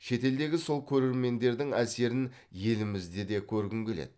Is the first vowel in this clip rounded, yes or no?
no